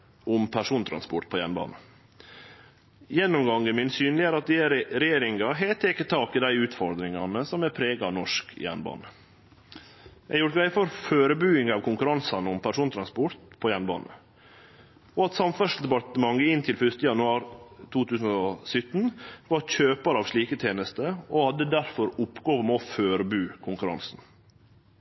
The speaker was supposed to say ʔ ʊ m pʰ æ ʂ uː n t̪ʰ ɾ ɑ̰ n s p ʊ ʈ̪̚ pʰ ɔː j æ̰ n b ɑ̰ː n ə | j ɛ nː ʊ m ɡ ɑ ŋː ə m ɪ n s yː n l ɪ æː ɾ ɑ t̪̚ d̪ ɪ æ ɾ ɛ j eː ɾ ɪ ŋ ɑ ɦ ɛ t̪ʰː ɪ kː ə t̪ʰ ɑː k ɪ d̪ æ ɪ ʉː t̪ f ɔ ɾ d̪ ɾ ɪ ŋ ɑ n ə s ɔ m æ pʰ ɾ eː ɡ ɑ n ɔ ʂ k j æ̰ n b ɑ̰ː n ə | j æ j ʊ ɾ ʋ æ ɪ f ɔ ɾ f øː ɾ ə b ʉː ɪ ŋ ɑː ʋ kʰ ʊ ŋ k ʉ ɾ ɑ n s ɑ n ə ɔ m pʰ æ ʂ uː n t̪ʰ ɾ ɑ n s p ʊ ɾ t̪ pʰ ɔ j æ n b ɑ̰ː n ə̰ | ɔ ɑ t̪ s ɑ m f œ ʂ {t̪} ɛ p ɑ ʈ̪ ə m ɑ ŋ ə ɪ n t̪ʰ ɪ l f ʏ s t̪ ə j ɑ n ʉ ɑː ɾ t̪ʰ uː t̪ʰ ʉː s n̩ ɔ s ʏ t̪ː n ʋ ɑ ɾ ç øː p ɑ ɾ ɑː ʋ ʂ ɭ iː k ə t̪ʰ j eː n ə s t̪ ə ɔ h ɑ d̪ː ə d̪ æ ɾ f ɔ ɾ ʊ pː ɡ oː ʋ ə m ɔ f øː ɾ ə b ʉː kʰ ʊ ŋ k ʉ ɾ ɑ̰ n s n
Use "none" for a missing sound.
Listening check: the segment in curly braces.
d̪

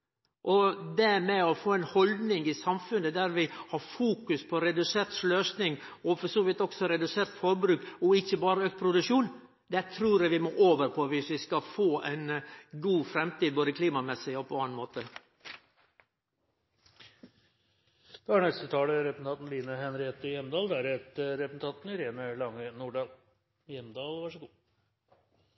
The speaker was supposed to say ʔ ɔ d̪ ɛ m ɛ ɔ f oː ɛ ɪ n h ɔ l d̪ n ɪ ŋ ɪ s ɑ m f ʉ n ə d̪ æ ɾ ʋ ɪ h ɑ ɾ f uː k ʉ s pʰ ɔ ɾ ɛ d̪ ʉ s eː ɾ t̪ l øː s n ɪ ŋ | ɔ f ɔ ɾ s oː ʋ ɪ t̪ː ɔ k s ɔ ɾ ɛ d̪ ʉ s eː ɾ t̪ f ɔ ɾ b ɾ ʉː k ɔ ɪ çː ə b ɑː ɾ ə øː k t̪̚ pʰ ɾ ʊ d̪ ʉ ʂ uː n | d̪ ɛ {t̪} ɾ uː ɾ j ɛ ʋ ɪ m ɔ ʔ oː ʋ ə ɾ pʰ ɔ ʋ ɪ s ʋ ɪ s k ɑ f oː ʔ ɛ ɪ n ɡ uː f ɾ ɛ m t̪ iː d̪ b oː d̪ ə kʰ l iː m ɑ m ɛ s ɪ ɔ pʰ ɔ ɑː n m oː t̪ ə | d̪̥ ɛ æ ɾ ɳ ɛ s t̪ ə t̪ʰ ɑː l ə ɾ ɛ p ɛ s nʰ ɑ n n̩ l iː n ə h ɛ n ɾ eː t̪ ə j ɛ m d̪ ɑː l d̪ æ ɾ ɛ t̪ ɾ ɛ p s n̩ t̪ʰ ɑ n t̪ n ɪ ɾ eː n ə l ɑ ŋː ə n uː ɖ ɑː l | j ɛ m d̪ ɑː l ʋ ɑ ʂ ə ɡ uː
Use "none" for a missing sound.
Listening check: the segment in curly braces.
t̪ʰ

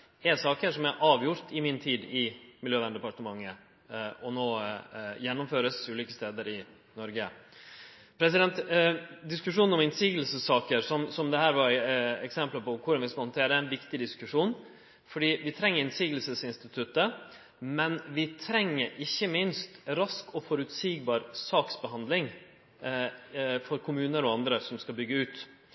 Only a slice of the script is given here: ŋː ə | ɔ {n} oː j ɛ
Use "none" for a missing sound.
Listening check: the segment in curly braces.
n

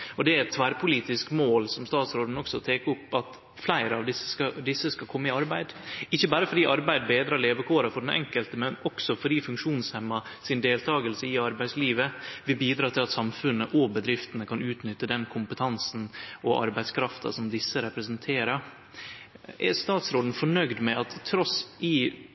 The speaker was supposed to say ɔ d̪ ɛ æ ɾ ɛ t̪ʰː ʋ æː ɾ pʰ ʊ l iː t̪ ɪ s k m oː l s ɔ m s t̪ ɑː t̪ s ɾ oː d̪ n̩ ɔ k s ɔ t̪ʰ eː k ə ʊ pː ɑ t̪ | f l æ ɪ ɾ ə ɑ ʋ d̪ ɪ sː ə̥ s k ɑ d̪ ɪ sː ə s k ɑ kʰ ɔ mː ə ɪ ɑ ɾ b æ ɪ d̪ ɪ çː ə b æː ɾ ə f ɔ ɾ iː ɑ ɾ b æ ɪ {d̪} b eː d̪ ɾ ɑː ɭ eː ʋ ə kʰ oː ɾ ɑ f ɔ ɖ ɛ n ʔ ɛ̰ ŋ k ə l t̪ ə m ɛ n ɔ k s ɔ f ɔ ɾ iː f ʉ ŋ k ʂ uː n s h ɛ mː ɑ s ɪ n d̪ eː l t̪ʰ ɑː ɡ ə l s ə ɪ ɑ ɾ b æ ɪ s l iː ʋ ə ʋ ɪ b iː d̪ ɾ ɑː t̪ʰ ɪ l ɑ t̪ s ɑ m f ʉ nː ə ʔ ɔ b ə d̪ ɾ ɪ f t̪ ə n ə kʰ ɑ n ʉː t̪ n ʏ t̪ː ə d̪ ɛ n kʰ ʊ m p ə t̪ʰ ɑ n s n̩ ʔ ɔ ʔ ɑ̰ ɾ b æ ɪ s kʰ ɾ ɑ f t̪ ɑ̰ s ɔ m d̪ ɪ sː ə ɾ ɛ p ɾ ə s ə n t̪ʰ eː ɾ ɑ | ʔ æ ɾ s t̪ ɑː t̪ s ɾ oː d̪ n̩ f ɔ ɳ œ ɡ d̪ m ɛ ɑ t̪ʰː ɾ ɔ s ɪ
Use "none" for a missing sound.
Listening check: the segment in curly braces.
d̪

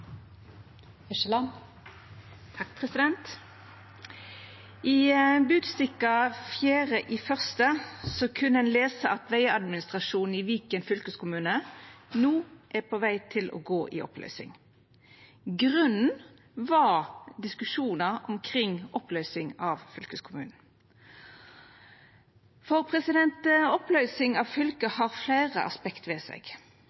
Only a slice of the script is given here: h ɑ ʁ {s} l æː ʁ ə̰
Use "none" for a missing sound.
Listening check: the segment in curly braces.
f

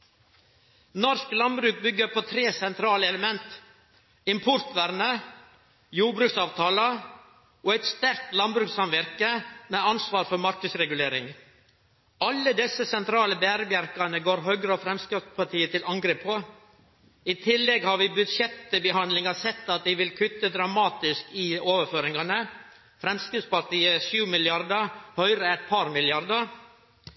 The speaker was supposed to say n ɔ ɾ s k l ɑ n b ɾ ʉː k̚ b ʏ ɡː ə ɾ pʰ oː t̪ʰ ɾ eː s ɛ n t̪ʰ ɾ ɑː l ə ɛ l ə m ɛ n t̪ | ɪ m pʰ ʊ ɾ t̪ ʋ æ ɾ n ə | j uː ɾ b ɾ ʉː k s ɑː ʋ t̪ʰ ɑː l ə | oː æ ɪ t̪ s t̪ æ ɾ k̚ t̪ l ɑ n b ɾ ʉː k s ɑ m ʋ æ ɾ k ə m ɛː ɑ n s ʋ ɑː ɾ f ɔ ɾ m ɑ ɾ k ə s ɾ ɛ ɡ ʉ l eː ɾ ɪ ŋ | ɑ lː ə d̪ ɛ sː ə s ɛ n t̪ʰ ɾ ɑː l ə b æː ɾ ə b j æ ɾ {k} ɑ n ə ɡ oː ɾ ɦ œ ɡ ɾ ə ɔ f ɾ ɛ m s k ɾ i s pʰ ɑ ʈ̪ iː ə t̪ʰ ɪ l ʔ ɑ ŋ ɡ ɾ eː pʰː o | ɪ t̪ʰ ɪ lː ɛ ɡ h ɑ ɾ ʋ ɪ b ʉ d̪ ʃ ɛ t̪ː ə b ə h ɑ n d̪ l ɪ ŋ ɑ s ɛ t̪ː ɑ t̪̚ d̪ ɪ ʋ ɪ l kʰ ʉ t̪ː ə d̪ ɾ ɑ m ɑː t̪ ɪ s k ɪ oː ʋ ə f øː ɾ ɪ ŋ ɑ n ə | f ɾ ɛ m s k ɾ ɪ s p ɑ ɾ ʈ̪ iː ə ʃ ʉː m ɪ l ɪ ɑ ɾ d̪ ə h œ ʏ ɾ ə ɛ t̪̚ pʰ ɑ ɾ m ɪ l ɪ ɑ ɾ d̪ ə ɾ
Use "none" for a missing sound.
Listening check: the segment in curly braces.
k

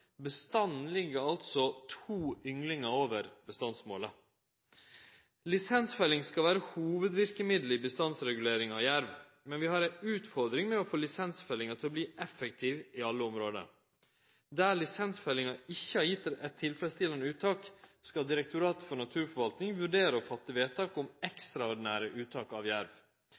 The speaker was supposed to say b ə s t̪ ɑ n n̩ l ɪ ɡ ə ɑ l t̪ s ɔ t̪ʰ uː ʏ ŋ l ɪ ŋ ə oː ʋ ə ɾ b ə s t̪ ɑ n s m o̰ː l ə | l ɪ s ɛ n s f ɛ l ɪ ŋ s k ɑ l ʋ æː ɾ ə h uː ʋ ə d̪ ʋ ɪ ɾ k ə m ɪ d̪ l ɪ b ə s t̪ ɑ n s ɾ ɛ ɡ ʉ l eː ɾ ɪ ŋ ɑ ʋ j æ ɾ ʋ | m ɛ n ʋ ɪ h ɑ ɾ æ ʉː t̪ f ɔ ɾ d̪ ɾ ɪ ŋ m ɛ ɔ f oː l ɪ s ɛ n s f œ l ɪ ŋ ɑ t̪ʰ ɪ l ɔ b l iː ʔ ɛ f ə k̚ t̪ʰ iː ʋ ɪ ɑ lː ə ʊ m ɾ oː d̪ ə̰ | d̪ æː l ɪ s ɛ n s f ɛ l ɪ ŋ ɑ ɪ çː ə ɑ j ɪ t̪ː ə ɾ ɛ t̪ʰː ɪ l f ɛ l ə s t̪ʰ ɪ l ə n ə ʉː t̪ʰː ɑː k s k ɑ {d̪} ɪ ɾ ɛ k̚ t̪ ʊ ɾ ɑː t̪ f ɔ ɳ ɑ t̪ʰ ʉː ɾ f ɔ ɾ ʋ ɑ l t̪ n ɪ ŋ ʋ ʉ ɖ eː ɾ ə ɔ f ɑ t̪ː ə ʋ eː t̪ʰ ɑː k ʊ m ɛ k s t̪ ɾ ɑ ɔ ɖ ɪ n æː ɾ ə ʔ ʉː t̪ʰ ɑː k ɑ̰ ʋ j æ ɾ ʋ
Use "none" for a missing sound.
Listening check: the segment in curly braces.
d̪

